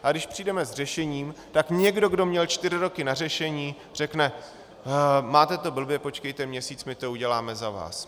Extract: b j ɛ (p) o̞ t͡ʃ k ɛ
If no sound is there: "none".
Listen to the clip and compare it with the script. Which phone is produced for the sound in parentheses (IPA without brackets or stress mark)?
p